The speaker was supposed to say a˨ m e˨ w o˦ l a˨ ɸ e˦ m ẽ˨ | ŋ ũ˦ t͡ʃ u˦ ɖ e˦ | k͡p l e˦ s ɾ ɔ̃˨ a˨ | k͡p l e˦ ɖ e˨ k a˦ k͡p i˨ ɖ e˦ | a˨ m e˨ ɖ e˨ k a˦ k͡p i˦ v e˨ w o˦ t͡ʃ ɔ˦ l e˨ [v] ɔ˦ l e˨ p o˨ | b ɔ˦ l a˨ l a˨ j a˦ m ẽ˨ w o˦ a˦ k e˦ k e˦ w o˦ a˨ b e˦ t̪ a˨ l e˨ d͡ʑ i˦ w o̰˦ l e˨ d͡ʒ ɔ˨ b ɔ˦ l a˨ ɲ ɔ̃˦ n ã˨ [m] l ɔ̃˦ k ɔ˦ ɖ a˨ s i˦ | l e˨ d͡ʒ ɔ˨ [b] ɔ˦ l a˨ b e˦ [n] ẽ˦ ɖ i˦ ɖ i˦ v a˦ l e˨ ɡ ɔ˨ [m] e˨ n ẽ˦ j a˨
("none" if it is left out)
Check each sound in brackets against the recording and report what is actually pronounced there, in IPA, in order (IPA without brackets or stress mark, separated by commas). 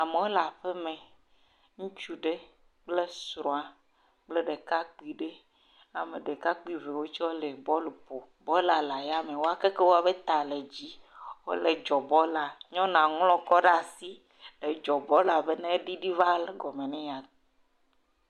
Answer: b, ŋ, b, n, m